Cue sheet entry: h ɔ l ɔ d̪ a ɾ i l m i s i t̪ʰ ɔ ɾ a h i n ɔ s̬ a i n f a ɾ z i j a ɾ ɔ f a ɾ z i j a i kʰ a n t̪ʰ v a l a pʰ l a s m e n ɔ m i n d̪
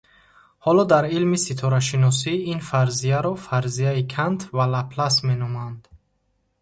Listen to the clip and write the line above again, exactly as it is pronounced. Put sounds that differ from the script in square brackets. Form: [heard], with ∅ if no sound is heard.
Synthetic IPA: h ɔ l ɔ d̪ a ɾ i l m i s i t̪ʰ ɔ ɾ a [ʃ] i n ɔ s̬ [i] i n f a ɾ z i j a ɾ ɔ f a ɾ z i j a i kʰ a n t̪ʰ v a l a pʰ l a s m e n ɔ m [a] n d̪

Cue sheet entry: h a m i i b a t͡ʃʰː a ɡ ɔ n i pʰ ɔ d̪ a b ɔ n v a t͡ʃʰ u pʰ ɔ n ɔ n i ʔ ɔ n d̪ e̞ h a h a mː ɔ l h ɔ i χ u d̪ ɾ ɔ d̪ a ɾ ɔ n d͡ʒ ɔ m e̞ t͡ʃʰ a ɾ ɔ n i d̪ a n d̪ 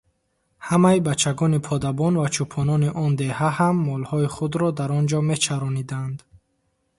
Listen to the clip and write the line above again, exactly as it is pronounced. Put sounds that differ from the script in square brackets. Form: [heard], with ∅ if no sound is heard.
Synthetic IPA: h a m [a] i b a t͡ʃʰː a ɡ ɔ n i pʰ ɔ d̪ a b ɔ n v a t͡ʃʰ u pʰ ɔ n ɔ n i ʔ ɔ n d̪ e̞ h a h a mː ɔ l h ɔ i χ u d̪ ɾ ɔ d̪ a ɾ ɔ n d͡ʒ ɔ m e̞ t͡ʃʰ a ɾ ɔ n i d̪ a n d̪

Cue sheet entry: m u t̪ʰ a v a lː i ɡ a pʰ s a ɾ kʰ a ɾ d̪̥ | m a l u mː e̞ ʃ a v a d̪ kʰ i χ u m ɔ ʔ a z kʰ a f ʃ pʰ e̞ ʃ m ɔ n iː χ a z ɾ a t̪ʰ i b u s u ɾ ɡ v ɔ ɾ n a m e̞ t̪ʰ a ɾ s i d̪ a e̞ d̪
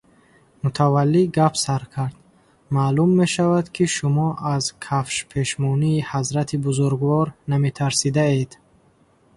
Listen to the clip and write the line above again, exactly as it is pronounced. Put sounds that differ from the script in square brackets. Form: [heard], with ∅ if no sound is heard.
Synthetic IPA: m u t̪ʰ a v a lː i ɡ a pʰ s a ɾ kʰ a ɾ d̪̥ | m a l u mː e̞ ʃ a v a d̪ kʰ i [ʃ] u m ɔ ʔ a z kʰ a f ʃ pʰ e̞ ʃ m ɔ n iː [h] a z ɾ a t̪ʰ i b u [z] u ɾ ɡ v ɔ ɾ n a m e̞ t̪ʰ a ɾ s i d̪ a e̞ d̪

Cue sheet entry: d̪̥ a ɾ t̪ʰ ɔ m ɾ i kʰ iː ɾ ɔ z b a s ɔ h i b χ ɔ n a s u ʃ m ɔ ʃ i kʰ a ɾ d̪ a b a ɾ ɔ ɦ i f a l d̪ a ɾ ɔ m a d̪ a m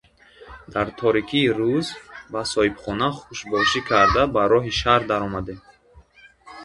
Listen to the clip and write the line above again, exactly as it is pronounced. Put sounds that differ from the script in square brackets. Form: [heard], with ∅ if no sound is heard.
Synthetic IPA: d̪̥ a ɾ t̪ʰ ɔ [∅] ɾ i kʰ iː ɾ [u] z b a s ɔ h i b χ ɔ n a [χ] u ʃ [b] ɔ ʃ i kʰ a ɾ d̪ a b a ɾ ɔ ɦ i [ʃ] a [ɾ] d̪ a ɾ ɔ m a d̪ [e] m

